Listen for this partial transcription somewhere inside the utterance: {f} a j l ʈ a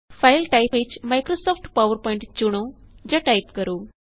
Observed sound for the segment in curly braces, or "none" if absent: f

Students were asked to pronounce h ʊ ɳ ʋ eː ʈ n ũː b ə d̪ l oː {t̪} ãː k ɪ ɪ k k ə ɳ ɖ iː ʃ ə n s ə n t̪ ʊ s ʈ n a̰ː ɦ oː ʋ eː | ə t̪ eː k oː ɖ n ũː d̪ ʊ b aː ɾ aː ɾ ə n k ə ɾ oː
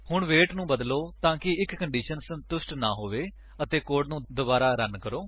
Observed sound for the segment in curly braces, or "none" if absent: t̪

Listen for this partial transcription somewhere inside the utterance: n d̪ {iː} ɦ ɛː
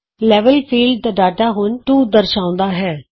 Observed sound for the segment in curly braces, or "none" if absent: aː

